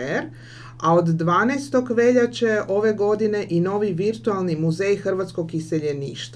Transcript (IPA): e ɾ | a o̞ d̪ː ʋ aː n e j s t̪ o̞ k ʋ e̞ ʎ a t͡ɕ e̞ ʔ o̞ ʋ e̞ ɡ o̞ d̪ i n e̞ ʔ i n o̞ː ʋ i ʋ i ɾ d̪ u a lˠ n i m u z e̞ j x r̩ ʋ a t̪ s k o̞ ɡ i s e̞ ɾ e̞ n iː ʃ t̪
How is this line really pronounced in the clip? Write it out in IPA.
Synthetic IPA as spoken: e ɾ | a o̞ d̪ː ʋ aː n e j s t̪ o̞ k ʋ e̞ ʎ a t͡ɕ e̞ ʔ o̞ ʋ e̞ ɡ o̞ d̪ i n e̞ ʔ i n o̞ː ʋ i ʋ i ɾ t̪ u a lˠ n i m u z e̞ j x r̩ ʋ a t̪ s k o̞ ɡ i s e̞ ʎ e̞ n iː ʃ t̪